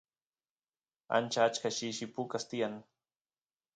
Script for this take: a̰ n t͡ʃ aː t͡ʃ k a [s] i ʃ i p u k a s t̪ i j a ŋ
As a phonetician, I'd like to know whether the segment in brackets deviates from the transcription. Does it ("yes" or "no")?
yes